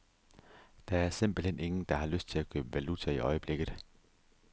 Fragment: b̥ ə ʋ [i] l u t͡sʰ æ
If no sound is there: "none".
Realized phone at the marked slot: æ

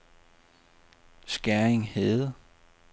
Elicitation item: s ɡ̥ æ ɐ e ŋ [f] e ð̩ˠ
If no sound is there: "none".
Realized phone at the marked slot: h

